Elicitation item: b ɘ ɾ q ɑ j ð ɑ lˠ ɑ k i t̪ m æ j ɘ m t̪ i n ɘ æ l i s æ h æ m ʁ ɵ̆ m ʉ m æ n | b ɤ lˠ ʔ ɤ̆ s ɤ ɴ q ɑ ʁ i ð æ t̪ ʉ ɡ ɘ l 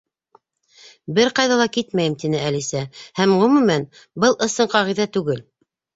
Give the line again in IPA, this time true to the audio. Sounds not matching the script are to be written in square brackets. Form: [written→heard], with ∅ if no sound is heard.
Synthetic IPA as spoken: b ɘ ɾ q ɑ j ð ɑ lˠ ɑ k i t̪ m æ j ɘ m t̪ i n ɘ æ l i s æ h æ m ʁ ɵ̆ m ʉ m æ n | b ɤ lˠ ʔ ɤ̆ s ɤ ɴ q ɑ ʁ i ð æ t̪ ʉ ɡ ɘ l